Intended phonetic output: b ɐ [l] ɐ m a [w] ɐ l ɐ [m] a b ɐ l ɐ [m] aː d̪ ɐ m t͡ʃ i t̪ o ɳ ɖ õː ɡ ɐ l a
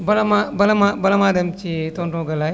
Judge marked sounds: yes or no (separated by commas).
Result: yes, no, yes, yes